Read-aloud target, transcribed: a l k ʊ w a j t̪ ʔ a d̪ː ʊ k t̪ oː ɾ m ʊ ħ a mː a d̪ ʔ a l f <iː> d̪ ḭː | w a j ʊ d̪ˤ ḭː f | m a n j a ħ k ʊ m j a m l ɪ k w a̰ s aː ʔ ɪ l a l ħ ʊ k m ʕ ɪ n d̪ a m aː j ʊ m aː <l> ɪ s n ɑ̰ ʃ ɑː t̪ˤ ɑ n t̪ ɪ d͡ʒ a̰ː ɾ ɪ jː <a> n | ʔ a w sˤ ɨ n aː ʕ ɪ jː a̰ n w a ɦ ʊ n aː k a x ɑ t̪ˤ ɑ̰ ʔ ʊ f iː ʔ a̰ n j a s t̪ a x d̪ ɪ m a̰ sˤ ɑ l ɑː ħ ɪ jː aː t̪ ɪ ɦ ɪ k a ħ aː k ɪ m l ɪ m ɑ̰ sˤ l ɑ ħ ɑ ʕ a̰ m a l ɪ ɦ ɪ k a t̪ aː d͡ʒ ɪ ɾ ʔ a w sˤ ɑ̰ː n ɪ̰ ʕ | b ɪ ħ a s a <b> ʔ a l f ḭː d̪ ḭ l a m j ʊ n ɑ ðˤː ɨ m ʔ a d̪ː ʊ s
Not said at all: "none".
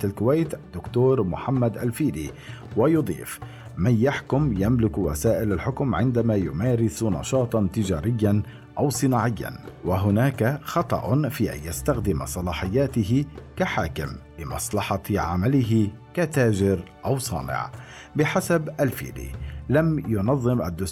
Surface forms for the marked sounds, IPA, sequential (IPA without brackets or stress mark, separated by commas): iː, ɾ, a, b